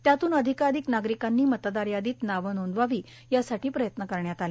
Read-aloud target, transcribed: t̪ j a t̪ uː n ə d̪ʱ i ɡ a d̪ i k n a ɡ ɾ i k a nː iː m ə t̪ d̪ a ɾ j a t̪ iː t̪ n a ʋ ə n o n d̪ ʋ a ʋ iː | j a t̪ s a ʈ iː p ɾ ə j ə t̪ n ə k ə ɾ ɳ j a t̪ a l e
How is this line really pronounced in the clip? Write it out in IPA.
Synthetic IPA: t̪ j a t̪ uː n ə d̪ʱ i k a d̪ i k n a ɡ ɾ i k a nː iː m ə t̪ d̪ a ɾ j a d̪ iː t̪ n a ʋ ə n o n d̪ ʋ a ʋ iː | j a s a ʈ iː p ɾ ə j ə t̪ n ə k ə ɾ ɳ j a t̪ a l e